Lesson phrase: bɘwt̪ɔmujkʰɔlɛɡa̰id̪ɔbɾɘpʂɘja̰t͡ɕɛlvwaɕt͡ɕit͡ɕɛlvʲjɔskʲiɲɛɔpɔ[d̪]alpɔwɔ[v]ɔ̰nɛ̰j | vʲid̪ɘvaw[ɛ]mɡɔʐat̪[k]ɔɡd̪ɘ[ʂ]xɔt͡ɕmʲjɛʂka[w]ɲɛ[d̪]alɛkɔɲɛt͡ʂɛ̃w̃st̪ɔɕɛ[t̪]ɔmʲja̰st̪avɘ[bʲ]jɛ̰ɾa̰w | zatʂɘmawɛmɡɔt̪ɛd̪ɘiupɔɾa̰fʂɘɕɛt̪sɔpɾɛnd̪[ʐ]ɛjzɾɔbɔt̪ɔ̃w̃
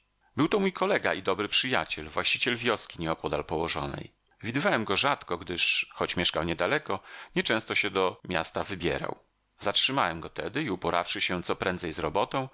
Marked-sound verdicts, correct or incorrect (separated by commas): correct, incorrect, correct, correct, correct, correct, correct, incorrect, correct, incorrect